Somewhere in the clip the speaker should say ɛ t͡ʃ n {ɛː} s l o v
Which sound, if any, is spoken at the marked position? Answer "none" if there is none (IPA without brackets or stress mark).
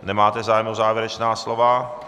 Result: aː